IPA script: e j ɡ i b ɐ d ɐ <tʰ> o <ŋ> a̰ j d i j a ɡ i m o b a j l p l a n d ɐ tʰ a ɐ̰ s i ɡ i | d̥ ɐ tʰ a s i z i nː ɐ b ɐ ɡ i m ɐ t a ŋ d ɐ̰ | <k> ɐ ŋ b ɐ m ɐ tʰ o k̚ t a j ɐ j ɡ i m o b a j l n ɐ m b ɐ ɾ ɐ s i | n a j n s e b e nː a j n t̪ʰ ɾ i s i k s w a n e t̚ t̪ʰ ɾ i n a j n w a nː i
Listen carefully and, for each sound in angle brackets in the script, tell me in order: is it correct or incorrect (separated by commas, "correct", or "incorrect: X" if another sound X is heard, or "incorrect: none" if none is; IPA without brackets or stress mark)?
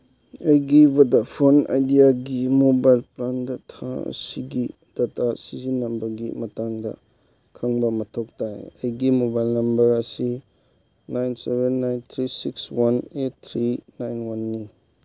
incorrect: pʰ, incorrect: n, incorrect: kʰ